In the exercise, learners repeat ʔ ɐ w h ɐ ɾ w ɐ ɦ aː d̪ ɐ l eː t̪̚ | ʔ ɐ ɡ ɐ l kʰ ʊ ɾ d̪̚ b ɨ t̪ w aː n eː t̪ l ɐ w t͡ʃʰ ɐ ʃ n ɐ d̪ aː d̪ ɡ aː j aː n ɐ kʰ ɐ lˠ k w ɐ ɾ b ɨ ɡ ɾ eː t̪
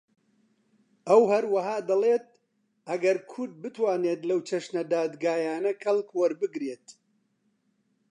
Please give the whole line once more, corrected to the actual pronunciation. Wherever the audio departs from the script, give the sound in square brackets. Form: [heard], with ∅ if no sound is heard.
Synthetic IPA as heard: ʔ ɐ w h ɐ ɾ w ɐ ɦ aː d̪ ɐ l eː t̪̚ | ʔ ɐ ɡ ɐ [ɾ] kʰ ʊ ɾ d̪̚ b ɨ t̪ w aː n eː t̪ l ɐ w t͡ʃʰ ɐ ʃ n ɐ d̪ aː d̪ ɡ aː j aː n ɐ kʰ ɐ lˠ k w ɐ ɾ b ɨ ɡ ɾ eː t̪